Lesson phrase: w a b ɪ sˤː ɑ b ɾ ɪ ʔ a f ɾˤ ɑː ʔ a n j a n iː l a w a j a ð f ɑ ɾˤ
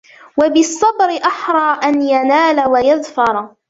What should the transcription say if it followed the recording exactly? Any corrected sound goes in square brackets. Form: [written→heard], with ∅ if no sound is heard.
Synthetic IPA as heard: w a b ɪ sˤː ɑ b ɾ ɪ ʔ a [f→ħ] ɾˤ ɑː ʔ a n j a n [iː→aː] l a w a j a ð f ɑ ɾˤ